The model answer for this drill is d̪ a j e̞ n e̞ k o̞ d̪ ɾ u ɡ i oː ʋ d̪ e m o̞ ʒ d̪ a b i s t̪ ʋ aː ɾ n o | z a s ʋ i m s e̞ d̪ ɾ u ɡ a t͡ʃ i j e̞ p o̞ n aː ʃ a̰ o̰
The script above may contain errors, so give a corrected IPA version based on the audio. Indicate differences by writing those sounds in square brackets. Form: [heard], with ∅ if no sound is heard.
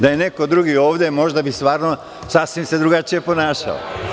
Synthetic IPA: d̪ a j e̞ n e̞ k o̞ d̪ ɾ u ɡ i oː ʋ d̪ e m o̞ ʒ d̪ a b i s t̪ ʋ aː ɾ n o | [s] a s ʋ i m s e̞ d̪ ɾ u ɡ a t͡ʃ i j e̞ p o̞ n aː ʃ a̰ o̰